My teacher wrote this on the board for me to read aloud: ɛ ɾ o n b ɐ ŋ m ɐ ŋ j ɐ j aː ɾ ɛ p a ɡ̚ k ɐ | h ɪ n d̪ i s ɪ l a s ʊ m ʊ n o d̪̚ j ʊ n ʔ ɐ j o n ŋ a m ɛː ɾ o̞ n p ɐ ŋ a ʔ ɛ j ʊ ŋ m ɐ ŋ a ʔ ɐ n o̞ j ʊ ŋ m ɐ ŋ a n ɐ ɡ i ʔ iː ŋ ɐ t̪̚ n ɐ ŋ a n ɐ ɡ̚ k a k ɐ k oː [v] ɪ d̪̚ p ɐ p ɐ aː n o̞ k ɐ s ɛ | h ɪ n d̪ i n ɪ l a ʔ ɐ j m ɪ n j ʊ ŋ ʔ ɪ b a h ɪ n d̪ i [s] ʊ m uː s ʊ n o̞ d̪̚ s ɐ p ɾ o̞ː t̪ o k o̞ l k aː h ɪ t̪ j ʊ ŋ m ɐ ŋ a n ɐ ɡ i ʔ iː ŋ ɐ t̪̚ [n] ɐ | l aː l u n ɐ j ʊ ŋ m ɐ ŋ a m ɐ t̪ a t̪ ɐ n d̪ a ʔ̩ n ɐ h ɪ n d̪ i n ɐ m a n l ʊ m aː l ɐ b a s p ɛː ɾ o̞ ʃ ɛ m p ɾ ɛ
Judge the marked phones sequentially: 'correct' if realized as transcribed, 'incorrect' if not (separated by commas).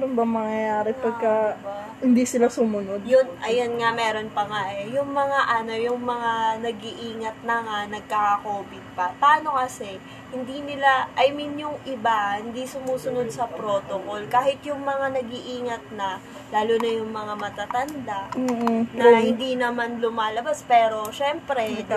incorrect, correct, correct